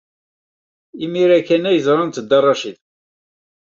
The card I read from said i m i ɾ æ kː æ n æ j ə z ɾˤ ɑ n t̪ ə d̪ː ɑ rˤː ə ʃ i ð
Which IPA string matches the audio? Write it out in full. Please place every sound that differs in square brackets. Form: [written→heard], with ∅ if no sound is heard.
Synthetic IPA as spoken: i m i ɾ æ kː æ n æ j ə z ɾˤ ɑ n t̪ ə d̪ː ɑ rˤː [ə→ɑ] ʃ i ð